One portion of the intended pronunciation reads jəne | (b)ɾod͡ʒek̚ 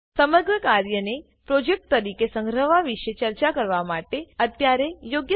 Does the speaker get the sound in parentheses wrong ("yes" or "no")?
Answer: yes